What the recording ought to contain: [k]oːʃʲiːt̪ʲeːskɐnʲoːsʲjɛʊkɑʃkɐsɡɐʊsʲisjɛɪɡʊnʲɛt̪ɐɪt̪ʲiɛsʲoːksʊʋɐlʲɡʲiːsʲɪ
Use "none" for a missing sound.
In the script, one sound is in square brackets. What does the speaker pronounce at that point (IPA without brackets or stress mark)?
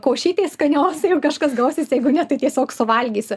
k